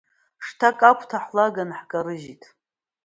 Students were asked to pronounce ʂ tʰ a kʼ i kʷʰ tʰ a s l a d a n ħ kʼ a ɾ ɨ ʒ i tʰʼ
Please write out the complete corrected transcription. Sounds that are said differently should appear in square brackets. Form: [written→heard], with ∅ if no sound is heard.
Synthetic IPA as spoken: ʂ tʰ a kʼ [i→a] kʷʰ tʰ a [s→ħ] l a [d→ɡ] a n ħ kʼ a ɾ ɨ ʒ i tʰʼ